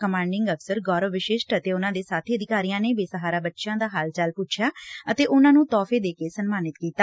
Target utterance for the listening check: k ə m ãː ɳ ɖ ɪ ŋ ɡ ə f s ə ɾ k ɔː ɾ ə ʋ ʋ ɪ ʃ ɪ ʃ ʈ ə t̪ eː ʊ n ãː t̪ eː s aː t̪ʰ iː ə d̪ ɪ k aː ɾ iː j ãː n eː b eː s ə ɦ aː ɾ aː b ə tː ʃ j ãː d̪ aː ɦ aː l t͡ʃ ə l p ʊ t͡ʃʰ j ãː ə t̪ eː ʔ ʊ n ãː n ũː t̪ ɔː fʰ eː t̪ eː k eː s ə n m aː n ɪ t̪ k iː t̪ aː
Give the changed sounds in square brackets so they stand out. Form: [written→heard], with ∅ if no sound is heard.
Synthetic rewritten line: k ə m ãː ɳ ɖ ɪ ŋ ɡ ə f s ə ɾ [k→ɡ] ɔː ɾ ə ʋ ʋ ɪ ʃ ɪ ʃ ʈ ə t̪ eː ʊ n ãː [t̪→d̪] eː s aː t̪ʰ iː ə d̪ ɪ k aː ɾ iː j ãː n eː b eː s ə ɦ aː ɾ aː b ə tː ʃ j ãː d̪ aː ɦ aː l t͡ʃ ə l p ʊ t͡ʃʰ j [ãː→aː] ə t̪ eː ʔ ʊ n ãː n ũː t̪ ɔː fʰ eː [t̪→d̪] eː k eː s ə n m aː n ɪ t̪ k iː t̪ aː

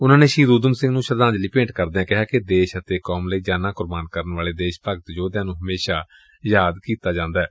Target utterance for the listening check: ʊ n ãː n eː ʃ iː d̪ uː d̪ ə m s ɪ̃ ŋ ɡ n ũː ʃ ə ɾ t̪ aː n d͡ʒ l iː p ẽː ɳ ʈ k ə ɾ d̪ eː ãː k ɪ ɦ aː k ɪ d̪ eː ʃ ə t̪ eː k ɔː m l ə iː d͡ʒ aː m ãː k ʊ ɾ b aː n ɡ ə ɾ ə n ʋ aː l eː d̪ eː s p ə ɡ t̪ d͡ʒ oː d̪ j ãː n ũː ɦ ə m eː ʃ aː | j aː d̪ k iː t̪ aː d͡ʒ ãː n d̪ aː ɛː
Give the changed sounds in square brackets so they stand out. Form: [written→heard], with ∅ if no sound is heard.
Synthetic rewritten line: ʊ n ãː n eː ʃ iː d̪ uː d̪ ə m s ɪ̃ ŋ ɡ n ũː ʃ ə ɾ [t̪→d̪] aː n d͡ʒ l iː p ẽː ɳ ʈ k ə ɾ d̪ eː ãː k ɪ ɦ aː k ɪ d̪ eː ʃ ə t̪ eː k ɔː m l ə iː d͡ʒ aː [m→n] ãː k ʊ ɾ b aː n [ɡ→k] ə ɾ ə n ʋ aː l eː d̪ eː [s→ʃ] p ə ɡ t̪ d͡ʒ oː d̪ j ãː n ũː ɦ ə m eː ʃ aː | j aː d̪ k iː t̪ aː d͡ʒ ãː n d̪ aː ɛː

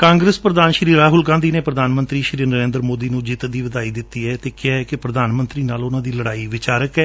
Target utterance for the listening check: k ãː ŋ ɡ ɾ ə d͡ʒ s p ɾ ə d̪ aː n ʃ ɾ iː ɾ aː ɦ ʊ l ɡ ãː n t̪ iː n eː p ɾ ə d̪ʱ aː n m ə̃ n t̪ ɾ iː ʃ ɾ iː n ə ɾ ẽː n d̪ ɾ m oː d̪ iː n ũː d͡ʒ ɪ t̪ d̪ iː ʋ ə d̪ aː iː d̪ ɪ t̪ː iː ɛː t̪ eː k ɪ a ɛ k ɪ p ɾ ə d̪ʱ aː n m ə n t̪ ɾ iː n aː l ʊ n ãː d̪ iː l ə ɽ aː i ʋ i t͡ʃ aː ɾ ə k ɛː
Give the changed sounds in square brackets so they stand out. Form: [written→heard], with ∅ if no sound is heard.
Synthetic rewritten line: k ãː ŋ ɡ ɾ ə [d͡ʒ→∅] s p ɾ ə d̪ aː n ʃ ɾ iː ɾ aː ɦ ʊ l ɡ ãː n [t̪→d̪] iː n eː p ɾ ə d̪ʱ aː n m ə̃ n t̪ ɾ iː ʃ ɾ iː n ə ɾ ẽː n d̪ ɾ m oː d̪ iː n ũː d͡ʒ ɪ t̪ d̪ iː ʋ ə d̪ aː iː d̪ ɪ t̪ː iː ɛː t̪ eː k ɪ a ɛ k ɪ p ɾ ə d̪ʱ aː n m ə n t̪ ɾ iː n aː l ʊ n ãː d̪ iː l ə ɽ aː i ʋ [i→ɪ] t͡ʃ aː ɾ ə k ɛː

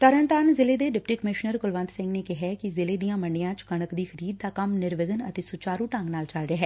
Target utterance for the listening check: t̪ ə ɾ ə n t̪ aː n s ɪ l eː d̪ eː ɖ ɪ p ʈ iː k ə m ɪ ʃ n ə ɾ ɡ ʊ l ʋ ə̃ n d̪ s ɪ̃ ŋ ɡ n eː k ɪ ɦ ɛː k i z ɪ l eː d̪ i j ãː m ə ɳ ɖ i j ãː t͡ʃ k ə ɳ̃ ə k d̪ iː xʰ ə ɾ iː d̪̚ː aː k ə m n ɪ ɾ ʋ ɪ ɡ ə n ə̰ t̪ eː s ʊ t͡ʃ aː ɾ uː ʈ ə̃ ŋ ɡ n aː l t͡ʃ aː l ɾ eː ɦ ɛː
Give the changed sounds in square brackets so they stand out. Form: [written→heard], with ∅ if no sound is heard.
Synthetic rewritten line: t̪ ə ɾ ə n t̪ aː n [s→z] ɪ l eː d̪ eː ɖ ɪ p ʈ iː k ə m ɪ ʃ n ə ɾ ɡ ʊ l ʋ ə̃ n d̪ s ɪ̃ ŋ ɡ n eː k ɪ ɦ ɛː k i z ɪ l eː d̪ i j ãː m ə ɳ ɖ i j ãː t͡ʃ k ə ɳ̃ ə k d̪ iː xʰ ə ɾ iː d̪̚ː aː k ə m n ɪ ɾ ʋ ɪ ɡ ə n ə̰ t̪ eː s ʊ t͡ʃ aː ɾ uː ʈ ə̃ ŋ ɡ n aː l t͡ʃ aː l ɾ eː ɦ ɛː

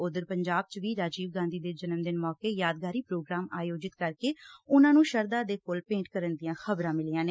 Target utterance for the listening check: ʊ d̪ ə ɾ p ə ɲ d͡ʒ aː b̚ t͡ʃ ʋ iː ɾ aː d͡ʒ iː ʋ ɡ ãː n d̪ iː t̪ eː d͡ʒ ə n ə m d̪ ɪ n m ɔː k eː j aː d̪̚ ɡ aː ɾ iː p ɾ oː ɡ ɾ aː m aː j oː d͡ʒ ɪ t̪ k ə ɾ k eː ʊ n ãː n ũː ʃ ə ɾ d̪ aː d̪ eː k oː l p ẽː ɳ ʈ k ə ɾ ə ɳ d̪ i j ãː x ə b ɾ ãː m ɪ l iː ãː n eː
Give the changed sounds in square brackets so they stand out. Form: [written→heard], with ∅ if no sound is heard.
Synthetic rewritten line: ʊ d̪ ə ɾ p ə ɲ d͡ʒ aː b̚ t͡ʃ ʋ iː ɾ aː d͡ʒ iː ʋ ɡ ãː n d̪ iː [t̪→d̪] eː d͡ʒ ə n ə m d̪ ɪ n m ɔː k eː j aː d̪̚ ɡ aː ɾ iː p ɾ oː ɡ ɾ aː m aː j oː d͡ʒ ɪ t̪ k ə ɾ k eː ʊ n ãː n ũː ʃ ə ɾ d̪ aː d̪ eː k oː l p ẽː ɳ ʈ k ə ɾ ə [ɳ→n] d̪ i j ãː x ə b ɾ ãː m ɪ l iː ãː n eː

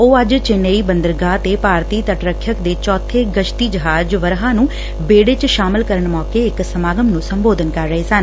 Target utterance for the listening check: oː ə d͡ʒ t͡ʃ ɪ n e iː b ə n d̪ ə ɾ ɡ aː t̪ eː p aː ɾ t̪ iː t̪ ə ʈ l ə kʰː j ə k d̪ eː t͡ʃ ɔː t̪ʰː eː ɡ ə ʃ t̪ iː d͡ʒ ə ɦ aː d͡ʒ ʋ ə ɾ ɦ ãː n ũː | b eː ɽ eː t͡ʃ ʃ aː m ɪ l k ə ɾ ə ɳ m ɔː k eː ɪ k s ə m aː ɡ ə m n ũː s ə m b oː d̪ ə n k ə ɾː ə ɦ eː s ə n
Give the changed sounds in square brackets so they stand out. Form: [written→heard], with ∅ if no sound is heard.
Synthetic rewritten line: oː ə d͡ʒ t͡ʃ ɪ n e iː b ə n d̪ ə ɾ ɡ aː t̪ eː p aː ɾ t̪ iː t̪ ə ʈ [l→ɾ] ə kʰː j ə k d̪ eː t͡ʃ ɔː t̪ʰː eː ɡ ə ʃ t̪ iː d͡ʒ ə ɦ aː d͡ʒ ʋ ə ɾ ɦ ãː n ũː | b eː ɽ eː t͡ʃ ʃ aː m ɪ l k ə ɾ ə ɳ m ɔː k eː ɪ k s ə m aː ɡ ə m n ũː s ə m b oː d̪ ə n k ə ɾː ə ɦ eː s ə n

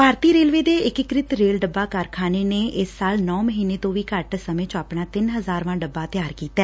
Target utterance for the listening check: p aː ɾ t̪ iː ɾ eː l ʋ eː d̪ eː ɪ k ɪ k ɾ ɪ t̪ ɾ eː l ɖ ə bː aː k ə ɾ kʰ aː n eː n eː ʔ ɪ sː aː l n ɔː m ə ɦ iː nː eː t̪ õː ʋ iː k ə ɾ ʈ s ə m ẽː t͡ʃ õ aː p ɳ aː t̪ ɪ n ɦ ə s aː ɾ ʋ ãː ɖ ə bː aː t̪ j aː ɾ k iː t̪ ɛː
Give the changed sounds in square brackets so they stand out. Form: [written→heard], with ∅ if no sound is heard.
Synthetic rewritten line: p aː ɾ t̪ iː ɾ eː l ʋ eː d̪ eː ɪ k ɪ k ɾ ɪ t̪ ɾ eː l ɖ ə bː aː k ə ɾ kʰ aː n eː n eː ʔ ɪ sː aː l n ɔː m ə ɦ iː [nː→n] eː t̪ õː ʋ iː k ə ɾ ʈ s ə m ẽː t͡ʃ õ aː p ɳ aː t̪ ɪ n ɦ ə [s→z] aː ɾ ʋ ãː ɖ ə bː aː t̪ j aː ɾ k iː t̪ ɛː

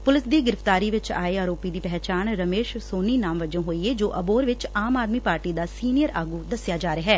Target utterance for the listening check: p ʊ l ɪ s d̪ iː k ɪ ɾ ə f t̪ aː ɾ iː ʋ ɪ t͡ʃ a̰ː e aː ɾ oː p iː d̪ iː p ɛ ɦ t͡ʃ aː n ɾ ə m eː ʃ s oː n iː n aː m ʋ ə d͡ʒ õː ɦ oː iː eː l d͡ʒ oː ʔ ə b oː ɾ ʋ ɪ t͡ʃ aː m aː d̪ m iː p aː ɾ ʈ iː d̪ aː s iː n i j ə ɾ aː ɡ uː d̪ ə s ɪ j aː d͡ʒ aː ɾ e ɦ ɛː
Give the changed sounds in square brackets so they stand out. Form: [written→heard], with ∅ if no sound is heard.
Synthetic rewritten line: p ʊ l ɪ s d̪ iː [k→ɡ] ɪ ɾ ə f t̪ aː ɾ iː ʋ ɪ t͡ʃ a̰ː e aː ɾ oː p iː d̪ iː p ɛ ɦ t͡ʃ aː n ɾ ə m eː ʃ s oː n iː n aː m ʋ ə d͡ʒ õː ɦ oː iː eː [l→∅] d͡ʒ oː ʔ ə b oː ɾ ʋ ɪ t͡ʃ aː m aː d̪ m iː p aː ɾ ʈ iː d̪ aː s iː n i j ə ɾ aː ɡ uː d̪ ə s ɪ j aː d͡ʒ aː ɾ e ɦ ɛː

